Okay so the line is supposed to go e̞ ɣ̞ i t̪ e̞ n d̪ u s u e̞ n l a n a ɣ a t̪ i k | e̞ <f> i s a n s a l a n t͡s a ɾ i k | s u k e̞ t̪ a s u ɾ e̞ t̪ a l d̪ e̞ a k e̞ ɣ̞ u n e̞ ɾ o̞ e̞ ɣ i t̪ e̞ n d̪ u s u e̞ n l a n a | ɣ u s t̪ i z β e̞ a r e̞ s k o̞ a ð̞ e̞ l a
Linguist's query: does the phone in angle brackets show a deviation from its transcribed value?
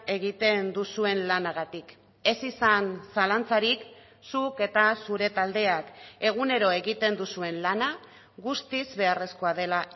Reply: yes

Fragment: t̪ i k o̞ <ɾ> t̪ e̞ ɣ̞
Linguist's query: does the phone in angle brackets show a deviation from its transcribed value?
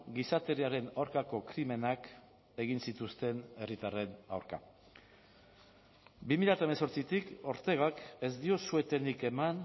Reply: no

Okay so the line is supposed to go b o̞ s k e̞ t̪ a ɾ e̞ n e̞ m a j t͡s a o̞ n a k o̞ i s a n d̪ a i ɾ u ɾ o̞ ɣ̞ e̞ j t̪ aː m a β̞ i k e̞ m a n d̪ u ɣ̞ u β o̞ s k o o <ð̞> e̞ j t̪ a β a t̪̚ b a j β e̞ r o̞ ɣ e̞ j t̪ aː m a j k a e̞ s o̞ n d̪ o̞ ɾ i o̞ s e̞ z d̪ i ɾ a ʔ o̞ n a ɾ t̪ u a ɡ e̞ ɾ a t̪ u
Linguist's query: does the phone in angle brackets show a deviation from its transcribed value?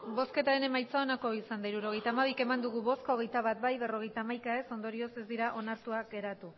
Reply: yes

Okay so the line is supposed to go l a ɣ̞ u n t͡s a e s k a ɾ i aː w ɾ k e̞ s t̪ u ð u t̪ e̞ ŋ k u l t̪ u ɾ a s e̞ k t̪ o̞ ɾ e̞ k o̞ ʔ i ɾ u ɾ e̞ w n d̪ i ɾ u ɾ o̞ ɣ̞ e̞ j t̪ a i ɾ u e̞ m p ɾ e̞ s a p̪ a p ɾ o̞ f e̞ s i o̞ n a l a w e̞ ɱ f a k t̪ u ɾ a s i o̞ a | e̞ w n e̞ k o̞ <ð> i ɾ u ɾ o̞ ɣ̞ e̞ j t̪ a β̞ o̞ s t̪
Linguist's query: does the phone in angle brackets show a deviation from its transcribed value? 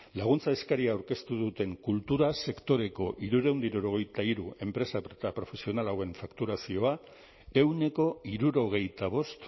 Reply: yes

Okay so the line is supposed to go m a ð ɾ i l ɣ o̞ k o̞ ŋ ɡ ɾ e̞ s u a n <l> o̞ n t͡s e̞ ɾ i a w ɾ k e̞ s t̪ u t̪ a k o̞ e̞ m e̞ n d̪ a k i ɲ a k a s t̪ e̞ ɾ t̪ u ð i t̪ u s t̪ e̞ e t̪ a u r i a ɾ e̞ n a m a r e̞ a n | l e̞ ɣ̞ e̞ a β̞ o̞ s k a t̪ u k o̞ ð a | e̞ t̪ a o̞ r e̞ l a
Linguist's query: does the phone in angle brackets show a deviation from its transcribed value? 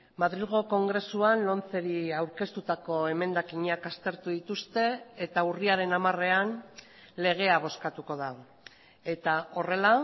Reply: no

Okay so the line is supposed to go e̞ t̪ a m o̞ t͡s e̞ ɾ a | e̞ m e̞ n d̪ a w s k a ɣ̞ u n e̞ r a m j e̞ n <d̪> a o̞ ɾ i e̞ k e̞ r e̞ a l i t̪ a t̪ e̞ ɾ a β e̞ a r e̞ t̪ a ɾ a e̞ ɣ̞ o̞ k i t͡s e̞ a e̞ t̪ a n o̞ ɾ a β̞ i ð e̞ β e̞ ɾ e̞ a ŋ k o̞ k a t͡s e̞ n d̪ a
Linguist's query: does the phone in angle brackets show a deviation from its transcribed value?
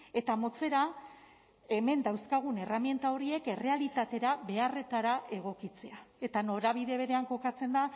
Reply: yes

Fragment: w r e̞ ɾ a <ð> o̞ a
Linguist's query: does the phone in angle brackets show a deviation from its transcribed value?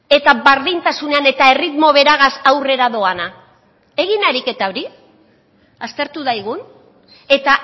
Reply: no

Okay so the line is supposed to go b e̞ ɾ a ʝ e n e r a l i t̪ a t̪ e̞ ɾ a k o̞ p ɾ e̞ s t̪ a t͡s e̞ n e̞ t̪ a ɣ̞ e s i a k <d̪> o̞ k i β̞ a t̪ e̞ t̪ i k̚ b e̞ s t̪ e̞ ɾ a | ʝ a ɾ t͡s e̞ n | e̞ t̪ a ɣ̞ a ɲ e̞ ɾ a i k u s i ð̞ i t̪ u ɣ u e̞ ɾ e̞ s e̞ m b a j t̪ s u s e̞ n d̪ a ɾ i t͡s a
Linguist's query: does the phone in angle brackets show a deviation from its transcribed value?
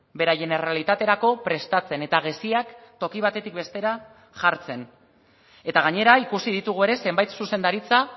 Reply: yes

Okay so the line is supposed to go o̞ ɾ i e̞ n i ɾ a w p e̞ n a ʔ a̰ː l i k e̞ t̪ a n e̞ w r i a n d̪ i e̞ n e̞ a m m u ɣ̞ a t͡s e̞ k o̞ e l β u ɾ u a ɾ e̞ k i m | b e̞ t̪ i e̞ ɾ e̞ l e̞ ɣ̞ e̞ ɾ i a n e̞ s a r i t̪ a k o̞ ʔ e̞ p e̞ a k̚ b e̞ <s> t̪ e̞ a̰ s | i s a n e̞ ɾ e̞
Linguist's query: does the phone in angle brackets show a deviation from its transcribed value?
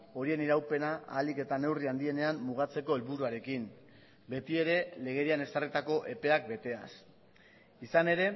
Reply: yes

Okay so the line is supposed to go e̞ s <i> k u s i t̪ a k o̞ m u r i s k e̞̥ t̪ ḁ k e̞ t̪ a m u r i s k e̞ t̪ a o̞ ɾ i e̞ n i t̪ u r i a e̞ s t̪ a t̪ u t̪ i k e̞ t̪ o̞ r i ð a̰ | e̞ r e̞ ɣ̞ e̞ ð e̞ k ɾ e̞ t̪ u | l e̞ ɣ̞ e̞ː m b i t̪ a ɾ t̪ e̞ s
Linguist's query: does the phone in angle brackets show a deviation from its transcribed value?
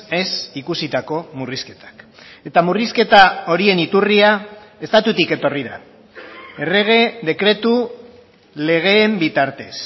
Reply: no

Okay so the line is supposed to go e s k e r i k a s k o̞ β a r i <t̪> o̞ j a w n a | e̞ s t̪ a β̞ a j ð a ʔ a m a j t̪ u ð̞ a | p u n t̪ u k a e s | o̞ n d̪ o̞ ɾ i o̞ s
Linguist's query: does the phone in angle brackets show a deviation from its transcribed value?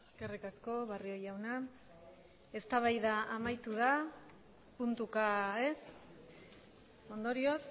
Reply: yes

